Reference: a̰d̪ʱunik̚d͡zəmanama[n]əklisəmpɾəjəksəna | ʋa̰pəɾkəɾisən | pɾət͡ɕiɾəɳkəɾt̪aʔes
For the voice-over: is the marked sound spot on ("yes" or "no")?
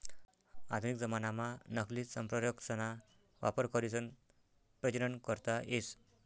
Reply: yes